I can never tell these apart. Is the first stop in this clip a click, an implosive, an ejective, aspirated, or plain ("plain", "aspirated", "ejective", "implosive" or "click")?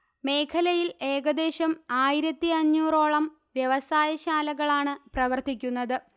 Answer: aspirated